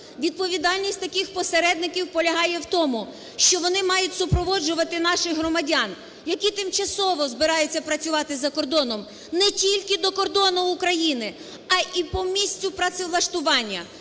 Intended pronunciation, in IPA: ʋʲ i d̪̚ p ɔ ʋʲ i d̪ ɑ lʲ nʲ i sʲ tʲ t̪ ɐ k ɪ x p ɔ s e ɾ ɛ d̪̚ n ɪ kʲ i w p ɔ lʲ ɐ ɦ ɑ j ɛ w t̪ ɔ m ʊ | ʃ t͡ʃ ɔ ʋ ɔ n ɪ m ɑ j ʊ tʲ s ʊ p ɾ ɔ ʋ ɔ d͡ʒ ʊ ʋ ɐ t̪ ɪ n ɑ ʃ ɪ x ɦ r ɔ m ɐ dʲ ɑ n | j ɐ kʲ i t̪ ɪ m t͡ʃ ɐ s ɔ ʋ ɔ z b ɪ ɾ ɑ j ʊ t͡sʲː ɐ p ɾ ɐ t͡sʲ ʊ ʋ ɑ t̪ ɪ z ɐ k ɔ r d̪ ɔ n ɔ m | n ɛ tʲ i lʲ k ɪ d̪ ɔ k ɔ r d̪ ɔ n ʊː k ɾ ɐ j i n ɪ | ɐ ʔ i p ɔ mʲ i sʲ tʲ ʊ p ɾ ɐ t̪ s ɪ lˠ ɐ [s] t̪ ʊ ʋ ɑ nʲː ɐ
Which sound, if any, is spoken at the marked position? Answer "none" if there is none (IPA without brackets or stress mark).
ʃ